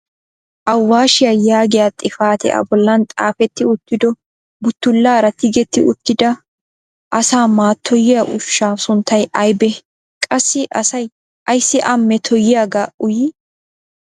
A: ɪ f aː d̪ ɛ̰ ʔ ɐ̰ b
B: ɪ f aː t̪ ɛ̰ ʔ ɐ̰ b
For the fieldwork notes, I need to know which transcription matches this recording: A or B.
B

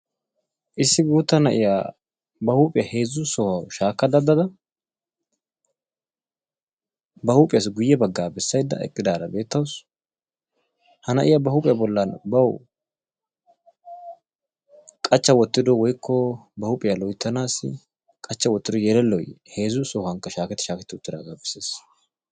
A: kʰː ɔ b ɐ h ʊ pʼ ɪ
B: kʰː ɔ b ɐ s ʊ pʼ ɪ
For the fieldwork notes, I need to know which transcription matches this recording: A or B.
A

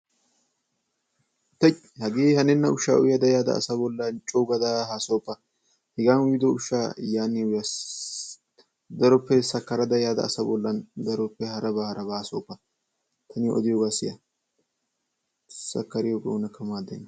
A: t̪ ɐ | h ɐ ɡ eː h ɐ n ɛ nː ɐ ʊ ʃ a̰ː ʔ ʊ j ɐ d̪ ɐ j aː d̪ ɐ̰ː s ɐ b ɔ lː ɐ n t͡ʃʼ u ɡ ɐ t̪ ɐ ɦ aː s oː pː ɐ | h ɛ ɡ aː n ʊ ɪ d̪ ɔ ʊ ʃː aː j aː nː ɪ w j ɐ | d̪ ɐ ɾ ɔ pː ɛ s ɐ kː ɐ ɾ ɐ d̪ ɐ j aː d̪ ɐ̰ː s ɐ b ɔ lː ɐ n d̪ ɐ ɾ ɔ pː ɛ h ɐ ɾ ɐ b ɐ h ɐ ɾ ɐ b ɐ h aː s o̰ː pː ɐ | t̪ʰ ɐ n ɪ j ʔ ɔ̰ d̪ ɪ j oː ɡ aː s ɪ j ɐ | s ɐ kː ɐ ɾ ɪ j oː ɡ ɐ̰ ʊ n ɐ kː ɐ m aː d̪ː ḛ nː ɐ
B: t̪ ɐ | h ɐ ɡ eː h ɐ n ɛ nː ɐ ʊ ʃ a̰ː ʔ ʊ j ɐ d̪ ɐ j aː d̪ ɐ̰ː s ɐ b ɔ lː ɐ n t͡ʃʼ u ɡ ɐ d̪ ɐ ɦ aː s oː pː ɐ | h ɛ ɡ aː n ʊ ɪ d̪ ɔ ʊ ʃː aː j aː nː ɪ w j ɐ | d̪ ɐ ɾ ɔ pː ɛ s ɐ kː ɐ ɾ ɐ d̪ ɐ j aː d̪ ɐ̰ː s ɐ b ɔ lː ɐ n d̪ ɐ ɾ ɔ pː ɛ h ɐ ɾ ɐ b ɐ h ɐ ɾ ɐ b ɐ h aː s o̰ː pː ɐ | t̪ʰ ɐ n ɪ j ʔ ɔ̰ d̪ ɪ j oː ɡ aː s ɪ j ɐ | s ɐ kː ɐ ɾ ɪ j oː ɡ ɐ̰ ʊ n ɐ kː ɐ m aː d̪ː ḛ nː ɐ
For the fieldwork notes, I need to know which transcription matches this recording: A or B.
B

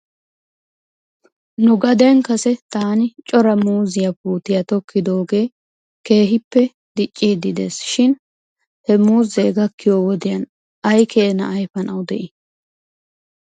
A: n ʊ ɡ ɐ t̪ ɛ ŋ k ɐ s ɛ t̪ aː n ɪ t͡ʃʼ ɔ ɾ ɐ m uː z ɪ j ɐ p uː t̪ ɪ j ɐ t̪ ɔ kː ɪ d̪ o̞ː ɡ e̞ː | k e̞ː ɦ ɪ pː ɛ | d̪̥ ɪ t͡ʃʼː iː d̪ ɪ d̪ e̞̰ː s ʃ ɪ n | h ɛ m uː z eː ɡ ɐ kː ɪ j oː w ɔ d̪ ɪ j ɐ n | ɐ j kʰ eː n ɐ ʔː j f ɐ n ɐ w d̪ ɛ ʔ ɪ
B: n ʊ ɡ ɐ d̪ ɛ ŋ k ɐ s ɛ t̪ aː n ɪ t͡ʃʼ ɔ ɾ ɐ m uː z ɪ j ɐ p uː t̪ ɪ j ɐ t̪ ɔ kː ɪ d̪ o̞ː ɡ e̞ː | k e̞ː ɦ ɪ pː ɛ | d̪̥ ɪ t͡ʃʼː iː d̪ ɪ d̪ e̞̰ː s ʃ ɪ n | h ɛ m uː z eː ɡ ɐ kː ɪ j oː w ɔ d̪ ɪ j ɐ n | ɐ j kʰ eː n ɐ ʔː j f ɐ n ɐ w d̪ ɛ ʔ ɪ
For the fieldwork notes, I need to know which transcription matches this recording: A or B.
B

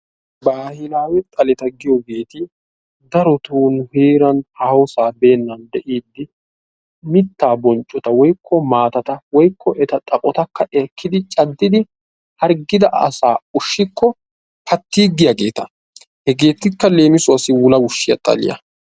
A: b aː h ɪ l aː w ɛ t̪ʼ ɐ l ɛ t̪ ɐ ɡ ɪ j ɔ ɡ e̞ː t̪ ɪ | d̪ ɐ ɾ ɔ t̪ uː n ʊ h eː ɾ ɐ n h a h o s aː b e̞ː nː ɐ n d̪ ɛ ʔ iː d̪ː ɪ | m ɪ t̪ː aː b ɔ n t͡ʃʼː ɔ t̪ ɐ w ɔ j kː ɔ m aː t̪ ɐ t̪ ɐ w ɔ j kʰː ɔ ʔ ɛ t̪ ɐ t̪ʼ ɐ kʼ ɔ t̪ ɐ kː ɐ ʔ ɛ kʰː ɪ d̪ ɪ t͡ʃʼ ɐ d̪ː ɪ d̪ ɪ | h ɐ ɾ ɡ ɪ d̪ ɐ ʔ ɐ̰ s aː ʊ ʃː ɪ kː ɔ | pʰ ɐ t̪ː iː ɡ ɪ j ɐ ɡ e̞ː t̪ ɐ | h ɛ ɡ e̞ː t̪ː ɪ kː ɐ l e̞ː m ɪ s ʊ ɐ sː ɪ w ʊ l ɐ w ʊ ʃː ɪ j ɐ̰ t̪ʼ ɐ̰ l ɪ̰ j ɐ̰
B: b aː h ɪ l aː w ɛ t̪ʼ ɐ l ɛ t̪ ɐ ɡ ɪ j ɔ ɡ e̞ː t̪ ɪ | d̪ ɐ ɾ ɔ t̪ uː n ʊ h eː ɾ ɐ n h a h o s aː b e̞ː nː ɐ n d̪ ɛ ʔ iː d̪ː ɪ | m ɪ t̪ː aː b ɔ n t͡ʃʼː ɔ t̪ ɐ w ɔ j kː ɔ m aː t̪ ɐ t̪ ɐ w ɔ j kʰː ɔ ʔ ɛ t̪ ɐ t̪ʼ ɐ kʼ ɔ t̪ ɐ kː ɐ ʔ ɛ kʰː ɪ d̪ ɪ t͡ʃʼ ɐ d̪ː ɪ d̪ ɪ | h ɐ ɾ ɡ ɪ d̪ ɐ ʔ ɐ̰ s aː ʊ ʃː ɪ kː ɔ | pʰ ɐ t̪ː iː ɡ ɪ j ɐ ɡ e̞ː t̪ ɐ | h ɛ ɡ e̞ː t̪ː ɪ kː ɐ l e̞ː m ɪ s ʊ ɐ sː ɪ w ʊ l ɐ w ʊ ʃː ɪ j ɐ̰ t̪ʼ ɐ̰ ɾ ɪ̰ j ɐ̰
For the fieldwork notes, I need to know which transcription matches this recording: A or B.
A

